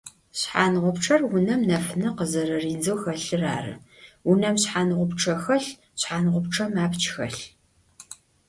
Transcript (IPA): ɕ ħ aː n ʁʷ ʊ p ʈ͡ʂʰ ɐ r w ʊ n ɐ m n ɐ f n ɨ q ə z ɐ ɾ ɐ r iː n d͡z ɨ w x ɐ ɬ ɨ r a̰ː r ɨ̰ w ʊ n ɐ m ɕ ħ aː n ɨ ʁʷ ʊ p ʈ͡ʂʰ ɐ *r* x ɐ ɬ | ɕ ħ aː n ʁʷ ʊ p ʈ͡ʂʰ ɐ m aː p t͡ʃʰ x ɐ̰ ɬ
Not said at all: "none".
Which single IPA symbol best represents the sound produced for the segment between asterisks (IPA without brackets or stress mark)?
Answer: none